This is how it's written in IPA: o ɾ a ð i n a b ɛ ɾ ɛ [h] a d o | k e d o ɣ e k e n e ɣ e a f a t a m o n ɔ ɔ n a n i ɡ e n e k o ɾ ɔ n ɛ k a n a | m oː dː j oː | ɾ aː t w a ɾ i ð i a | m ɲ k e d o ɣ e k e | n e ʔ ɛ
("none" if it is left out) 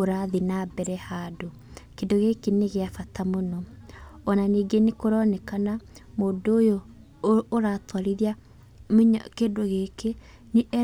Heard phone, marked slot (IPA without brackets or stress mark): h